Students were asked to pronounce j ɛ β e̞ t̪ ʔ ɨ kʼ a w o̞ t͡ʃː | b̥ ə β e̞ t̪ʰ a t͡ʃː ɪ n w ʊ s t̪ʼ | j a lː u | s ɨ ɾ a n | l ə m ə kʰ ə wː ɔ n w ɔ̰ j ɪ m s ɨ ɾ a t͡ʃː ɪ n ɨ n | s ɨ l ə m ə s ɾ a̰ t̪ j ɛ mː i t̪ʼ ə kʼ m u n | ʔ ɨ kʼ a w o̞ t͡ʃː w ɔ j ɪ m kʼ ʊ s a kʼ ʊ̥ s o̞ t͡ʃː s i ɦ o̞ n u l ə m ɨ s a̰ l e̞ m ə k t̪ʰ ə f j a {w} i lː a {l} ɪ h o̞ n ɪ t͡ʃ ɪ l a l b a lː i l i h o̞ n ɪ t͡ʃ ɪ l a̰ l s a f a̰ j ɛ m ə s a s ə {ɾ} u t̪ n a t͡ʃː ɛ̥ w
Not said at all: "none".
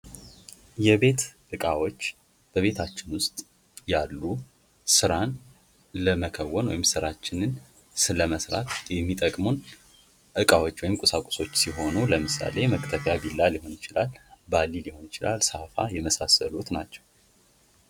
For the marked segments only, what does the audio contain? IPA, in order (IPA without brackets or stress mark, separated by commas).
b, l, l